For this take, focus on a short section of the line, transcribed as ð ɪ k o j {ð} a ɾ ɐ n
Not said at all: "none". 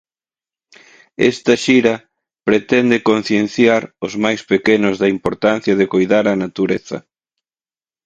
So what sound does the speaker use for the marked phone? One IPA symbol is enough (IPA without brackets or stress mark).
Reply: ð